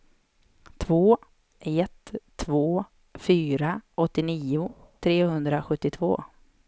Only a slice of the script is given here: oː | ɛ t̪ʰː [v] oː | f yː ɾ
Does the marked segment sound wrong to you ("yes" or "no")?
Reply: no